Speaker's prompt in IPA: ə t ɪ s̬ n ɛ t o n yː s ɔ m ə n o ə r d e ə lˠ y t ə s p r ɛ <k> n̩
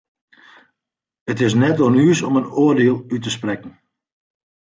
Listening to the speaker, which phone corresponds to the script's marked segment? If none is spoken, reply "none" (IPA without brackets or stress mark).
k